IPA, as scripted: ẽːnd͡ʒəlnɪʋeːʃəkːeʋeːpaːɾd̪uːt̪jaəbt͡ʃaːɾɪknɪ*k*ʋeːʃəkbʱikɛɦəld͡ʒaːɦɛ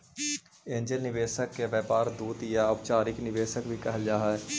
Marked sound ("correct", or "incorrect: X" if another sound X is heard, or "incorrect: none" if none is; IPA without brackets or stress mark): incorrect: none